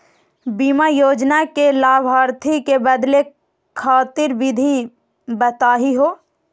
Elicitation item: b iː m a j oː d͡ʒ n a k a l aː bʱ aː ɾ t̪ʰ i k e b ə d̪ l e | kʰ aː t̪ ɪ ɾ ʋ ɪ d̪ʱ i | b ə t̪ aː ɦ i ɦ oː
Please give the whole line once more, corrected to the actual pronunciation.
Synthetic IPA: b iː m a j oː d͡ʒ n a k e l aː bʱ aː ɾ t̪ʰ i k e b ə d̪ l e | kʰ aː t̪ ɪ ɾ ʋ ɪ d̪ʱ i | b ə t̪ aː ɦ i ɦ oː

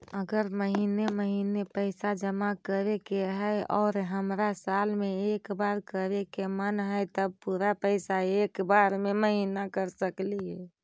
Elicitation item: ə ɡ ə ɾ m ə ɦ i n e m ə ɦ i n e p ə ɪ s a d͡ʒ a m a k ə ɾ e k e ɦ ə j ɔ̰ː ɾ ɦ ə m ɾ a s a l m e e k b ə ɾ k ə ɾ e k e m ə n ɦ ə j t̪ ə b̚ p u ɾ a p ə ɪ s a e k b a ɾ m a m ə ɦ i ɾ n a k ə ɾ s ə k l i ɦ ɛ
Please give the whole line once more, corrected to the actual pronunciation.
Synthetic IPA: ə ɡ ə ɾ m ə ɦ i n e m ə ɦ i n e p ə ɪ s a d͡ʒ ə m a k ə ɾ e k e ɦ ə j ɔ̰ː ɾ ɦ ə m ɾ a s a l m e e k b a ɾ k ə ɾ e k e m ə n ɦ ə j t̪ ə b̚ p u ɾ a p ə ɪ s a e k b a ɾ m e m ə ɦ i n a k ə ɾ s ə k l i ɦ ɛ

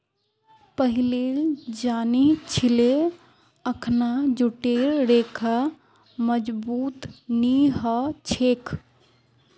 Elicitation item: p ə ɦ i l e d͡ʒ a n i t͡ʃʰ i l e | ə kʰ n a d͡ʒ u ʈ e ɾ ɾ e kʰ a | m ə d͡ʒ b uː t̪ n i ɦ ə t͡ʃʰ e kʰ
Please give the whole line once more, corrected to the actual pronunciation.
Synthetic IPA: p ə ɦ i l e d͡ʒ a n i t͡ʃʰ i l e | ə kʰ n a d͡ʒ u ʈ e ɾ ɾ e kʰ a | m ə d͡ʒ b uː t̪ n i ɦ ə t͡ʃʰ e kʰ

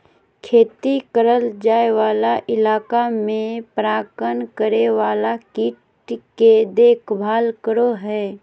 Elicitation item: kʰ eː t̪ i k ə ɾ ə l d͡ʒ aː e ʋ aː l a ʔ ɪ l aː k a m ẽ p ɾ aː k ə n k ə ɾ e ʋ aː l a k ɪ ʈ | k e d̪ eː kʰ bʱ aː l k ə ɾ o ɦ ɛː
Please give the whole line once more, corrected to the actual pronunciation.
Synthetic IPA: kʰ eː t̪ i k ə ɾ ə l d͡ʒ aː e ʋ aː l a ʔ ɪ l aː k a m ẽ p ɾ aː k ə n k ə ɾ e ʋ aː l a k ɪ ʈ | k e d̪ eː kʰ bʱ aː l k ə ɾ o ɦ ɛː

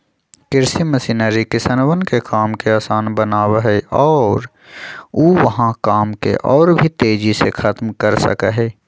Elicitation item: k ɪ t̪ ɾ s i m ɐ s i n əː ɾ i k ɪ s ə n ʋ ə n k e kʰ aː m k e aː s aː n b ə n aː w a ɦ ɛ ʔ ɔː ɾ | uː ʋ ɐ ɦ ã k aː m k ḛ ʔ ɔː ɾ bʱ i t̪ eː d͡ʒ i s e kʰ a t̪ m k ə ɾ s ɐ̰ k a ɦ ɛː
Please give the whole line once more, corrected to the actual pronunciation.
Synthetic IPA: k ɪ ɾ s i m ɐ s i n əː ɾ i k ɪ s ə n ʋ ə n k e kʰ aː m k e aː s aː n b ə n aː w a ɦ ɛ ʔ ɔː ɾ | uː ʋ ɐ ɦ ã k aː m k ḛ ʔ ɔː ɾ bʱ i t̪ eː d͡ʒ i s e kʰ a t̪ m k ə ɾ s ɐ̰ k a ɦ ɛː

